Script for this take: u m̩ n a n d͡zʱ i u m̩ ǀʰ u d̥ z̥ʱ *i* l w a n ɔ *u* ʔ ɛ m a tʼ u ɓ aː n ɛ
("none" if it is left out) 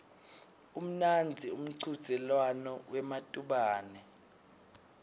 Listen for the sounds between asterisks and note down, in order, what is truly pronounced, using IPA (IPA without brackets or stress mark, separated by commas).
ɛ, w